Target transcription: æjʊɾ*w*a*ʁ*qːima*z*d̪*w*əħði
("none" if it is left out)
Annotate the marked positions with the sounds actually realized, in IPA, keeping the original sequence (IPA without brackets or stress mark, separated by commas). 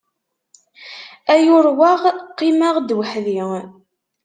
w, ʁ, ʁ, w